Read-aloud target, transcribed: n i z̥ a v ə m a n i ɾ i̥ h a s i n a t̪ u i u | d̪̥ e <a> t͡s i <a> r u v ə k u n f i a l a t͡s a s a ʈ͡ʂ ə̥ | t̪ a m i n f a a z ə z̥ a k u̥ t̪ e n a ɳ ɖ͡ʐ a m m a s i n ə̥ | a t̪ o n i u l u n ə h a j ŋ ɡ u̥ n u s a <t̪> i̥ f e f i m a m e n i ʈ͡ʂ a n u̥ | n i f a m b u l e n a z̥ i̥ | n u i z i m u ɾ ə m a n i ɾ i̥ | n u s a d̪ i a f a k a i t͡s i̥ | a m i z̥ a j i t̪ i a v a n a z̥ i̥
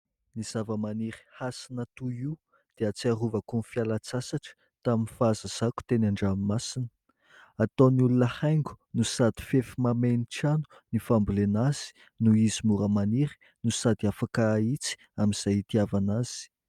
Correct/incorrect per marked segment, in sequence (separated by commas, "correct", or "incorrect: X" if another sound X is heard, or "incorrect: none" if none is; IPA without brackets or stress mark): correct, correct, incorrect: d̪